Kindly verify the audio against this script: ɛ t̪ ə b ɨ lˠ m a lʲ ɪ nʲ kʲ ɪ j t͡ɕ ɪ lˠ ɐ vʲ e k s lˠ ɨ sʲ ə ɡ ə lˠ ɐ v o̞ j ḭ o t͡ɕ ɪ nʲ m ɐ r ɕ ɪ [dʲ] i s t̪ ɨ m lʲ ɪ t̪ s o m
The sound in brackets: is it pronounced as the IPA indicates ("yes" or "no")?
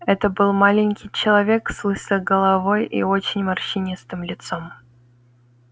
no